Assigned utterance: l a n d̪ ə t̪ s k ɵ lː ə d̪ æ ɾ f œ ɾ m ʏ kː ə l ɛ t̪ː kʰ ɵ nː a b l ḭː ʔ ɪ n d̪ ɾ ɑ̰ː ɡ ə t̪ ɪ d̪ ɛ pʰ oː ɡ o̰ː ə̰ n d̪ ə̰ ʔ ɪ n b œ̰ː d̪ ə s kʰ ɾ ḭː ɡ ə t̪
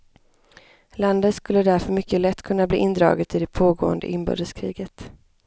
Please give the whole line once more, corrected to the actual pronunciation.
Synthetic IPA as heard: l a n d̪ ə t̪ s k ɵ lː ə d̪ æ ɾ f œ ɾ m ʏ kː ə l ɛ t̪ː kʰ ɵ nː a b l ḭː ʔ ɪ n d̪ ɾ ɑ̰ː ɡ ə t̪ ɪ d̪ ɛ pʰ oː ɡ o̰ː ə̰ n d̪ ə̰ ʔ ɪ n b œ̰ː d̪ ə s kʰ ɾ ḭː ɡ ə t̪

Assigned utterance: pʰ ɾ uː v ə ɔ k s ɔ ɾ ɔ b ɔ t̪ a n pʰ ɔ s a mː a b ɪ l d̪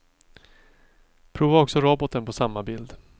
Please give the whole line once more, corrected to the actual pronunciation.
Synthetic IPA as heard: pʰ ɾ uː v a ɔ k s ɔ ɾ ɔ b ɔ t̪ ə n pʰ ɔ s a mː a b ɪ l d̪

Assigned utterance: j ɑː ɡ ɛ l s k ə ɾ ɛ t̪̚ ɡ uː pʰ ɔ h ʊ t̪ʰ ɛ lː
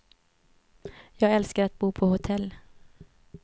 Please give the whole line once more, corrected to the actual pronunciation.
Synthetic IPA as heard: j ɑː ɡ ɛ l s k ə ɾ a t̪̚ b uː pʰ ɔ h ʊ t̪ʰ ɛ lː

